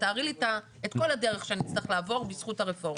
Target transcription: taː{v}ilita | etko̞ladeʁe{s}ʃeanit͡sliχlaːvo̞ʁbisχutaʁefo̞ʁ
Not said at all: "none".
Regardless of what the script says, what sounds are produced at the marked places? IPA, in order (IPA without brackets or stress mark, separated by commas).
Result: ʁ, χ